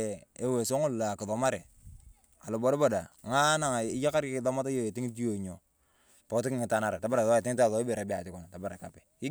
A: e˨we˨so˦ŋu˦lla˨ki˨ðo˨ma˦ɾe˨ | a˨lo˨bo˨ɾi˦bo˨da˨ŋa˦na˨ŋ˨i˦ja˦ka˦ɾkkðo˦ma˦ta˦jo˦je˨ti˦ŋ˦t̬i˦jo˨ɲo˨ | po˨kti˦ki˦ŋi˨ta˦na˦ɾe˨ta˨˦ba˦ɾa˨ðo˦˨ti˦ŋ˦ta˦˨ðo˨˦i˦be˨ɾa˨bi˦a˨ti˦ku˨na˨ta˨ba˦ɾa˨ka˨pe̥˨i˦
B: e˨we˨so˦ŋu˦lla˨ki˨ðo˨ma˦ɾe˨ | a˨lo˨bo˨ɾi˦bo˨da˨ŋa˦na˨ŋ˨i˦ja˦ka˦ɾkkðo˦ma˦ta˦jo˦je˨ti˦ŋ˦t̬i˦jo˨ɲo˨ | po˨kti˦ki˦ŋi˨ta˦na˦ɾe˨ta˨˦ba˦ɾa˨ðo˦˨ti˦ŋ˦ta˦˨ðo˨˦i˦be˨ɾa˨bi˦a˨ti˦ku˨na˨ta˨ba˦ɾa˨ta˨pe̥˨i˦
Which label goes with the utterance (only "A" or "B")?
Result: A